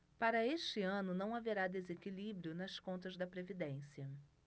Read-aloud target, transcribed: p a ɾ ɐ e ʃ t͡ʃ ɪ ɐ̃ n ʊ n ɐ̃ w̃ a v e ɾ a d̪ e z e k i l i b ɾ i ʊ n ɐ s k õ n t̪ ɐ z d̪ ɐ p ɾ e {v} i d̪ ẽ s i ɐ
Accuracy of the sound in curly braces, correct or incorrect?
correct